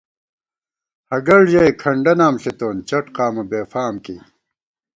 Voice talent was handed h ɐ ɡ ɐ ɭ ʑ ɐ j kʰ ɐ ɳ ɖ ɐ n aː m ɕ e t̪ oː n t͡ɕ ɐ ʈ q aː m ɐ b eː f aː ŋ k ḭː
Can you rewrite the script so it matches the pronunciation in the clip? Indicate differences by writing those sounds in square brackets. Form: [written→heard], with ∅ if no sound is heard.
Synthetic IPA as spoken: h ɐ ɡ ɐ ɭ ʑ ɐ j kʰ ɐ ɳ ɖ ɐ n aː m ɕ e t̪ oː n t͡ɕ ɐ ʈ q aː m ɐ b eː f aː [ŋ→m] k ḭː